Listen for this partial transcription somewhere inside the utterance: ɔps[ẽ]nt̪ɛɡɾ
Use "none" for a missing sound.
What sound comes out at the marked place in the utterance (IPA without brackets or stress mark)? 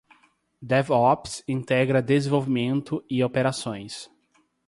ĩ